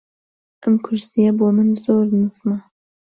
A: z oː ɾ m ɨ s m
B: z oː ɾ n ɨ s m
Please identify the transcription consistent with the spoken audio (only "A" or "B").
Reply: B